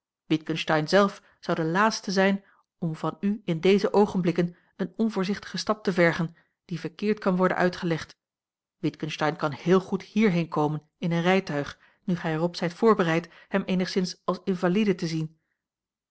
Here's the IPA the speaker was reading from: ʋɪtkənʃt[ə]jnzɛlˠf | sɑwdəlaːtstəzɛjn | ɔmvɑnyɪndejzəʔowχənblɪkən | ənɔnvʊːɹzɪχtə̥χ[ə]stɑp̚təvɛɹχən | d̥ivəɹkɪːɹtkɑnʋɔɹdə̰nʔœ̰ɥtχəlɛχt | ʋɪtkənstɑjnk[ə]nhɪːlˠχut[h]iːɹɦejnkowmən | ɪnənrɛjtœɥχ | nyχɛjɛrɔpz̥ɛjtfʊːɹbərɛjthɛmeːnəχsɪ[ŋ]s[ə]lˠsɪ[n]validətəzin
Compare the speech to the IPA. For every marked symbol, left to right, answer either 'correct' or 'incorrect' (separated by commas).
incorrect, correct, incorrect, correct, incorrect, incorrect, correct